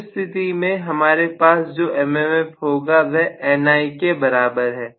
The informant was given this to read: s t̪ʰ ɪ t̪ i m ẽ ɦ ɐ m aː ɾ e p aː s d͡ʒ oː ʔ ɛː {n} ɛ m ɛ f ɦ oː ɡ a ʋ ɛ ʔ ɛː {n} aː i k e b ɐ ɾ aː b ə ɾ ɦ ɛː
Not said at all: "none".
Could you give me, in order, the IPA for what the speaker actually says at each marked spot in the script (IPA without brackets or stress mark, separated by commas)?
m, n